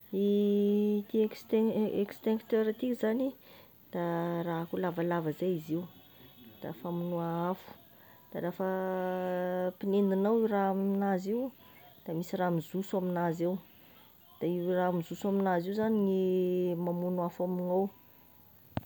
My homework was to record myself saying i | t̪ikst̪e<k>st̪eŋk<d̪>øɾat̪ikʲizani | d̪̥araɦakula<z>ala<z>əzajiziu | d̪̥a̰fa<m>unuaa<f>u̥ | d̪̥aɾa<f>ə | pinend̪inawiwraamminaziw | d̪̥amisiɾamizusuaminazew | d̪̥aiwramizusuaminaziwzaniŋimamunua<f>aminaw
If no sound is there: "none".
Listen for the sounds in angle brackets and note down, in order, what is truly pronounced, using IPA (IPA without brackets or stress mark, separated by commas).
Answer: k, t̪, v, v, m, f, f, f